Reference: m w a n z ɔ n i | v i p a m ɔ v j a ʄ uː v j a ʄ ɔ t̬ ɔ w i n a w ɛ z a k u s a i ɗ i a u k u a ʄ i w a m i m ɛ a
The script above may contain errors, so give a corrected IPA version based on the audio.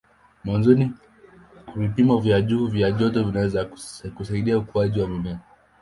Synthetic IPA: m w a n z ɔ n i | v i p i m ɔ v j a ʄ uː v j a ʄ ɔ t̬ ɔ v i n a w ɛ z a k u s a i ɗ i a u k u a ʄ i w a m i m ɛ a